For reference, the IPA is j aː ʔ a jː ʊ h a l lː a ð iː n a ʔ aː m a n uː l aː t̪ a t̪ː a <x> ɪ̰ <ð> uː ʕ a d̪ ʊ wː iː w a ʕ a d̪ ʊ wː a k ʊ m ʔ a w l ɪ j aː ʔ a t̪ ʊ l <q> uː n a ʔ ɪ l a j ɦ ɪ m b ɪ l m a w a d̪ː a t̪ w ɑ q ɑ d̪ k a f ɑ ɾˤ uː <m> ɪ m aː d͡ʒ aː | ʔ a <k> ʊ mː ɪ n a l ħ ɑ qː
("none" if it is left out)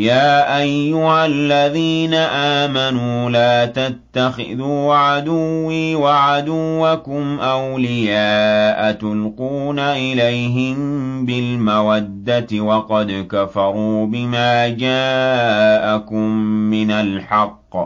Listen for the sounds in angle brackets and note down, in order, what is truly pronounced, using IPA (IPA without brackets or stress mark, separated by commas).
x, ð, q, b, k